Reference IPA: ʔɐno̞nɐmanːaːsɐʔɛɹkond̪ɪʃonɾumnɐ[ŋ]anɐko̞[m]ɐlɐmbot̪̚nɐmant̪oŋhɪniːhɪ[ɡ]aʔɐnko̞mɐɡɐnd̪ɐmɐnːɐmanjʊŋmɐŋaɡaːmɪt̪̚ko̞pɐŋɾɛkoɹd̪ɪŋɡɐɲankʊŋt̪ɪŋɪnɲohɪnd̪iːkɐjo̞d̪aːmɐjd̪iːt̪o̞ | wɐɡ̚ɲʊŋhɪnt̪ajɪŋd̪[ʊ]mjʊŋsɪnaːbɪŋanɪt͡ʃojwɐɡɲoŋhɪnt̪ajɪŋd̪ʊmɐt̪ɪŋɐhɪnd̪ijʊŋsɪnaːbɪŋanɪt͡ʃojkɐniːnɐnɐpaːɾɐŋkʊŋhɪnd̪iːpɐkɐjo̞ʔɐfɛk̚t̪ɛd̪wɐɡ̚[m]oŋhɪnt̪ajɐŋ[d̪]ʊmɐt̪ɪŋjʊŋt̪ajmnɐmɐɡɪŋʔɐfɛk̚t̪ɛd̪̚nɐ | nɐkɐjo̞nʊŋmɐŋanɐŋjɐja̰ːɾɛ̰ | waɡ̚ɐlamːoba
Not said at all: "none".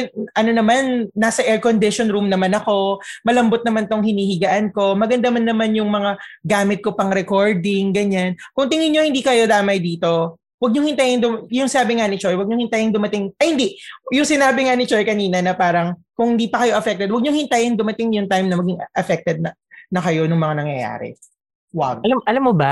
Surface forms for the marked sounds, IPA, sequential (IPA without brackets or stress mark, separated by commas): m, m, ɡ, ʊ, ɲ, d̪